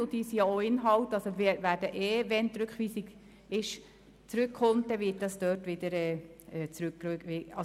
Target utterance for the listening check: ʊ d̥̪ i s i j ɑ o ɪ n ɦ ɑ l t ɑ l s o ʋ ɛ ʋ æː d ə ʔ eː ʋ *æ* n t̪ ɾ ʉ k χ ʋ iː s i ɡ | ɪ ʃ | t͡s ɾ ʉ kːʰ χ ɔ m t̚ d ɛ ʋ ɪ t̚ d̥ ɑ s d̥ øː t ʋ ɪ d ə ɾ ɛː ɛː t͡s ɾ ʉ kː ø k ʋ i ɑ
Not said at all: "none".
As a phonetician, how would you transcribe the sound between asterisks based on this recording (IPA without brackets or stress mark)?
ɛ